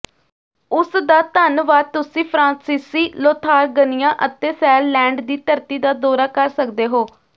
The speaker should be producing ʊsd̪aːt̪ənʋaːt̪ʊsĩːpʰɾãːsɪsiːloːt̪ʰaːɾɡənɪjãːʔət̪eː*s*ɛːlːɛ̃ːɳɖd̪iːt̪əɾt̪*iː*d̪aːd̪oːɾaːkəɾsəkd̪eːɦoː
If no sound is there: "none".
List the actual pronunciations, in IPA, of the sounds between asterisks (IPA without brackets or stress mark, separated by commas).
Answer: s, iː